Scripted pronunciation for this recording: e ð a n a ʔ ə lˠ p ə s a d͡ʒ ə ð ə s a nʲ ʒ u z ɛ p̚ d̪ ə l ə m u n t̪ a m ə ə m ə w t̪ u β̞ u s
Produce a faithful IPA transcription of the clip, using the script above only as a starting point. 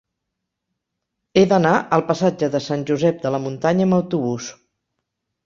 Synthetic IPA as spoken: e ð ə n a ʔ ə lˠ p ə s a d͡ʒ ə ð ə s a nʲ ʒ u z ɛ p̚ d̪ ə l ə m u n t̪ a ɲ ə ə m ə w t̪ u β̞ u s